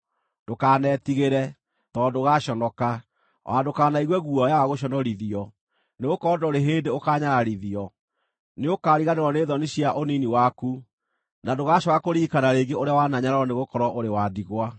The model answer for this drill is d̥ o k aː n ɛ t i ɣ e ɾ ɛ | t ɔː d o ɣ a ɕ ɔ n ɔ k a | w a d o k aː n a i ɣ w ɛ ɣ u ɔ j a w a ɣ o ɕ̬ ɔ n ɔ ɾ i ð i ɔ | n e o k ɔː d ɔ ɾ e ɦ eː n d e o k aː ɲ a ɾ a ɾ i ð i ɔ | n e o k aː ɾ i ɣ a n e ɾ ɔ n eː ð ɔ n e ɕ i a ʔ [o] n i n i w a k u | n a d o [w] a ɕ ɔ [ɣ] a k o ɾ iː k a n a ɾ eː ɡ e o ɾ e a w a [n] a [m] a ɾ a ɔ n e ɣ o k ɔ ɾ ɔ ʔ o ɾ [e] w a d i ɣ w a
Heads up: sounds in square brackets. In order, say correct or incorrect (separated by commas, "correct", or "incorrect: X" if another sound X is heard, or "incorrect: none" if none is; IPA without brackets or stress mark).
correct, incorrect: ɣ, correct, correct, incorrect: ɲ, correct